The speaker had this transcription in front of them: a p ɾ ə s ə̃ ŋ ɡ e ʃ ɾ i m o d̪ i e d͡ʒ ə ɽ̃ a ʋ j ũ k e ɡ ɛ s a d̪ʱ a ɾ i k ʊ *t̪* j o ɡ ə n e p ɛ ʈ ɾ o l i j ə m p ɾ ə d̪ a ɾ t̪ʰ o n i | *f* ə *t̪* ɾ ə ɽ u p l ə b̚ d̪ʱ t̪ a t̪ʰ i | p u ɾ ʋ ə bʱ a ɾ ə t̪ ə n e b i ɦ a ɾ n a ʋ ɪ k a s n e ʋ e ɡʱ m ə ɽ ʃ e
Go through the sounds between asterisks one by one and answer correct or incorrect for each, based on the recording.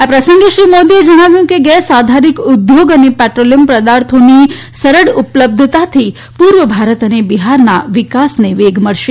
incorrect: d̪, incorrect: s, incorrect: none

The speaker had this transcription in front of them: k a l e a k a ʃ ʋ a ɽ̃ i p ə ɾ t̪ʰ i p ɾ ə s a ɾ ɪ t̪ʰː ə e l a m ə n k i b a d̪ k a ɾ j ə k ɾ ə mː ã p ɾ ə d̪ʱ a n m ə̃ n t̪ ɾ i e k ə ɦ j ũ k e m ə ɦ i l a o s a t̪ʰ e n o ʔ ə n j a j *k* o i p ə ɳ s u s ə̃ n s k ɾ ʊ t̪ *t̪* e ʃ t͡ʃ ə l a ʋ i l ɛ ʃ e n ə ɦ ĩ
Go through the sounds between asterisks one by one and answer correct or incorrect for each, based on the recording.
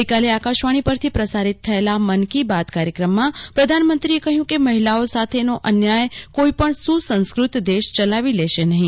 correct, incorrect: d̪

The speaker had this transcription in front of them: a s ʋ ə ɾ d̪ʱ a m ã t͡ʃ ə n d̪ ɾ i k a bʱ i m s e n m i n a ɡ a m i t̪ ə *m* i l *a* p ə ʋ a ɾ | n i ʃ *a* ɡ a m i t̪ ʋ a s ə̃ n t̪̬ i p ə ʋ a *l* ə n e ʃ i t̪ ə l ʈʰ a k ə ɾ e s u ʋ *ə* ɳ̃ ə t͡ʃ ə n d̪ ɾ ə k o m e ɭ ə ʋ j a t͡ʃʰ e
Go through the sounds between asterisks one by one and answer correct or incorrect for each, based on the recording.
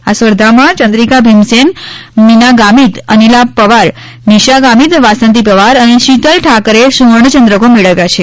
incorrect: n, correct, correct, incorrect: ɾ, correct

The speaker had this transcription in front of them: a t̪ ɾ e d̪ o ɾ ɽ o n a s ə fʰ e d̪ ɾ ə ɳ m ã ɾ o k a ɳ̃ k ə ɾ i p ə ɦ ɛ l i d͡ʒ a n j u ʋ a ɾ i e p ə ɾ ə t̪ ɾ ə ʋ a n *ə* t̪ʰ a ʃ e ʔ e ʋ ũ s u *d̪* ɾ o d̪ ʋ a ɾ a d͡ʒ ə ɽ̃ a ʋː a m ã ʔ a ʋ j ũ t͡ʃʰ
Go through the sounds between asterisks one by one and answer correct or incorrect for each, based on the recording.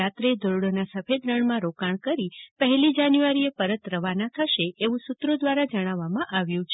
incorrect: a, incorrect: t̪

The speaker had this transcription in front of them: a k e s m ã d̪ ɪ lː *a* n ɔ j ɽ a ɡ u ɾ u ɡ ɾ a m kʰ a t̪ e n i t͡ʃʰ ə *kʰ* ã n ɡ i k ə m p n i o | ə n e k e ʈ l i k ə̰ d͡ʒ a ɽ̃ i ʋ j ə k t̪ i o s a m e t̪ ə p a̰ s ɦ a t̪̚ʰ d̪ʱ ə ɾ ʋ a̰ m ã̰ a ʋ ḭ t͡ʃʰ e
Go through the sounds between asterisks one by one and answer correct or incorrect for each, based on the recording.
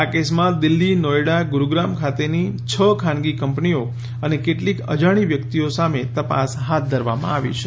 incorrect: i, correct

